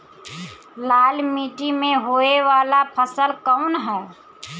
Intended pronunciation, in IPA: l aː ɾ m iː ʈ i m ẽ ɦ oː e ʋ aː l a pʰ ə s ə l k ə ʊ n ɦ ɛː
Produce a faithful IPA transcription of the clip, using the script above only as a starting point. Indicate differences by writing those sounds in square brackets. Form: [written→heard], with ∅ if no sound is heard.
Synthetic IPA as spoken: l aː [ɾ→l] m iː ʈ i m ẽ ɦ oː e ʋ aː l a pʰ ə s ə l k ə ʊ n ɦ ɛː